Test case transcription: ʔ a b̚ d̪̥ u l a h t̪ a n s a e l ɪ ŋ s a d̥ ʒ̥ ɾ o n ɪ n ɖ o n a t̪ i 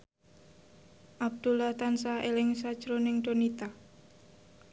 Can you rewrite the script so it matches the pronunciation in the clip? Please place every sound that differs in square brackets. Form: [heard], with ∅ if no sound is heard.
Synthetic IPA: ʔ a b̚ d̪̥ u l a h t̪ a n s a e l ɪ ŋ s a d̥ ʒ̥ ɾ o n ɪ [ŋ] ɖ o n [i] t̪ [a]